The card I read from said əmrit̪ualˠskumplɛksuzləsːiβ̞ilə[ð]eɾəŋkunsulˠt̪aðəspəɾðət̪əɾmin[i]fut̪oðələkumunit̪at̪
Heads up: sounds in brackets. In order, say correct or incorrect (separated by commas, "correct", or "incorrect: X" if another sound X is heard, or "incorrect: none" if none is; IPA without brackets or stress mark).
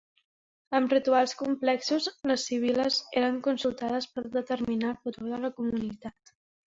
incorrect: z, incorrect: a